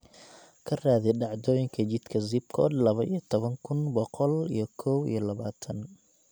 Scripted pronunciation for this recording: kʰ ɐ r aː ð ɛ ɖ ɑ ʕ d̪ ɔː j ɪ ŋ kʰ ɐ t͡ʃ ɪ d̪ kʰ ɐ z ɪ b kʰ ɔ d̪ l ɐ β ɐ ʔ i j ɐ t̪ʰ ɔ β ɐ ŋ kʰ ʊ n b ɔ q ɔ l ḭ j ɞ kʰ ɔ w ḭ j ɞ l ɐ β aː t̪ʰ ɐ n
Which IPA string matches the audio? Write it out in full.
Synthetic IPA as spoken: kʰ ɐ r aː ð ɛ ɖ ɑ ʕ d̪ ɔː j ɪ ŋ kʰ ɐ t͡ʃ ɪ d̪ kʰ ɐ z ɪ b kʰ ɔ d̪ l ɐ β ɐ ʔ i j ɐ t̪ʰ ɔ β ɐ ŋ kʰ ʊ n b ɔ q ɔ l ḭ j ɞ kʰ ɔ w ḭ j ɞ l ɐ β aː t̪ʰ ɐ n

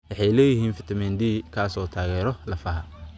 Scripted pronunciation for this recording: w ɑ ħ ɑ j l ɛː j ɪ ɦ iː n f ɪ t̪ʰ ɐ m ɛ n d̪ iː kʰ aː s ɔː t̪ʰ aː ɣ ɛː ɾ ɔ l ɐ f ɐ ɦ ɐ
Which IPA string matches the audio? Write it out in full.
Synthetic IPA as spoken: w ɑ ħ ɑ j l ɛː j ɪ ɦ iː n f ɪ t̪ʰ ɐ m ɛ n d̪ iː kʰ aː s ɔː t̪ʰ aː ɣ ɛː ɾ ɔ l ɐ f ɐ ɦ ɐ

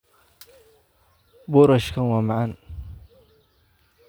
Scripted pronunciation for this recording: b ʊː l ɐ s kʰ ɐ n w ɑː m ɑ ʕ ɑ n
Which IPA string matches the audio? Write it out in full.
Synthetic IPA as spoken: b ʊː ɾ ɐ ʃ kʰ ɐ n w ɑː m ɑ ʕ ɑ n

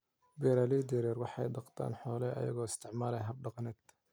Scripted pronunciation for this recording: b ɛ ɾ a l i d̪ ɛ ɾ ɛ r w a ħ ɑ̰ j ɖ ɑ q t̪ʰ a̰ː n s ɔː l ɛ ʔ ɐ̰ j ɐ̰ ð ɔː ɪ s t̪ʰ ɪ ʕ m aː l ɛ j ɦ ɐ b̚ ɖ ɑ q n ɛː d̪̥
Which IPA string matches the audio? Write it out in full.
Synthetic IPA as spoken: b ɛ ɾ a l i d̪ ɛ ɾ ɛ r w ɑ ħ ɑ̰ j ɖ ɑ q t̪ʰ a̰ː n ħ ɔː l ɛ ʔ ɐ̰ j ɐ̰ ɣ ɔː ɪ s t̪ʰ ɪ ʕ m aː l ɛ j ɦ ɐ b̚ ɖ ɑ q n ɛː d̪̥

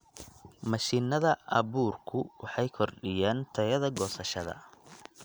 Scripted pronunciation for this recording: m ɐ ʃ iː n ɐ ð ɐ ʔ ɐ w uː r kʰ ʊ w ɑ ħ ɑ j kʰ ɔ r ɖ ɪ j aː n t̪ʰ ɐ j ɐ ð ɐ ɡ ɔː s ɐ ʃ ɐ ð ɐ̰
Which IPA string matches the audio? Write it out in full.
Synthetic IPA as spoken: m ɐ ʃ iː n ɐ ð ɐ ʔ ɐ β uː r kʰ ʊ w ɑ ħ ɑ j kʰ ɔ r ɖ ɪ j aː n t̪ʰ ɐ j ɐ ð ɐ ɡ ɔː s ɐ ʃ ɐ ð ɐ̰

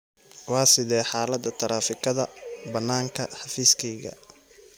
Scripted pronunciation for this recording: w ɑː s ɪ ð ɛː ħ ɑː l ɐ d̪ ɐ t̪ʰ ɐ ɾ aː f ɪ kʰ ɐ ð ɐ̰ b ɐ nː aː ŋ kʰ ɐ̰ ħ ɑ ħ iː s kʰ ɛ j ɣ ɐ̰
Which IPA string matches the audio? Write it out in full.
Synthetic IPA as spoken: w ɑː s ɪ ð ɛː ħ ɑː l ɐ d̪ ɐ t̪ʰ ɐ ɾ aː f ɪ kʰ ɐ ð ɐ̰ b ɐ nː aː ŋ kʰ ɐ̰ ħ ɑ f iː s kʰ ɛ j ɣ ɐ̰

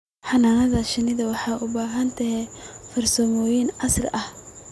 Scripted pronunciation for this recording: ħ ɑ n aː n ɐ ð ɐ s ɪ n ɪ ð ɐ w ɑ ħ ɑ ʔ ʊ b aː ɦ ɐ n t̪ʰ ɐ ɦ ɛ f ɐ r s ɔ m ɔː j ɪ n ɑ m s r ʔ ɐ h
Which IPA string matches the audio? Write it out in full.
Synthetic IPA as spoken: ħ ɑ n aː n ɐ ð ɐ ʃ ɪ n ɪ ð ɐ w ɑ ħ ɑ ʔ ʊ b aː ɦ ɐ n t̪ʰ ɐ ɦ ɛ f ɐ r s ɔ m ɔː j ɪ n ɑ s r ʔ ɐ h

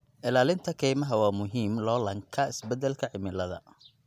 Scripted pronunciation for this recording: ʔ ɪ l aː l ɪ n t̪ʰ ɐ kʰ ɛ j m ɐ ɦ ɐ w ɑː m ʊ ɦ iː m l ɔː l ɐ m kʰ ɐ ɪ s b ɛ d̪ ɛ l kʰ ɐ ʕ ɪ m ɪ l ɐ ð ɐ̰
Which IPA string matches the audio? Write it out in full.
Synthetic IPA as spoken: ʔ ɪ l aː l ɪ n t̪ʰ ɐ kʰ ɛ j m ɐ ɦ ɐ w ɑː m ʊ ɦ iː m l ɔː l ɐ ŋ kʰ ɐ ɪ s b ɛ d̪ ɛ l kʰ ɐ ʕ ɪ m ɪ l ɐ ð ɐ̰

